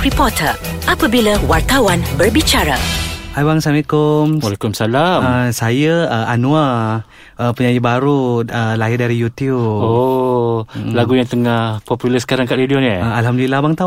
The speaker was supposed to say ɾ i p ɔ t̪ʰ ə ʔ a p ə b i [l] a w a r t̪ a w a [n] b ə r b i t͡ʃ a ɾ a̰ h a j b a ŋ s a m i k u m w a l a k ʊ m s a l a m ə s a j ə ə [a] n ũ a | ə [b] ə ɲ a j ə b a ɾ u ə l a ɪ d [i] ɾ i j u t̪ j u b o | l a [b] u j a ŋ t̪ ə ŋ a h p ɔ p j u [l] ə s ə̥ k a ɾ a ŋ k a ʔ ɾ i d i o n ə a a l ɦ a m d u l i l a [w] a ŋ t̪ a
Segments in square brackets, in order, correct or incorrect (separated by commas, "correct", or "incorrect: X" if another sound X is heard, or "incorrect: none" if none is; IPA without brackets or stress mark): correct, correct, correct, incorrect: p, incorrect: a, incorrect: ɡ, correct, incorrect: b